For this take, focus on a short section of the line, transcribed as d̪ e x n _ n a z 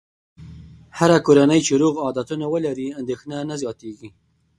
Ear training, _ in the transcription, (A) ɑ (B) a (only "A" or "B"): B